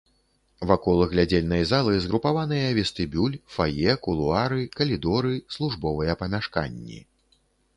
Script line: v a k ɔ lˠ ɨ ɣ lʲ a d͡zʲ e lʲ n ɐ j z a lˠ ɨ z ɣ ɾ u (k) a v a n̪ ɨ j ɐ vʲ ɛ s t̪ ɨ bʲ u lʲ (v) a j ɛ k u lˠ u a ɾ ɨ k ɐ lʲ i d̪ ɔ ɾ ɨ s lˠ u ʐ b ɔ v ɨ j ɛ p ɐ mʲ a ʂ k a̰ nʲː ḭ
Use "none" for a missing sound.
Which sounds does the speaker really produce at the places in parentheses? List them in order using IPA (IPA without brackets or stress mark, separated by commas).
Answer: p, f